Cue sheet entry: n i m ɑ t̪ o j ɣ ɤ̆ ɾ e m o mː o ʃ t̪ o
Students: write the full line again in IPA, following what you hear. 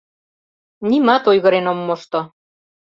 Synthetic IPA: n i m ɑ t̪ o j ɣ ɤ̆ ɾ e n o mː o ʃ t̪ o